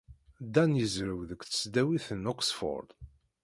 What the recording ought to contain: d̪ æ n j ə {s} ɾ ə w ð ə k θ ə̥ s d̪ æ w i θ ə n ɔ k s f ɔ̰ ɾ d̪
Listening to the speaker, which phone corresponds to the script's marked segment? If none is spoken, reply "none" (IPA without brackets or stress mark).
z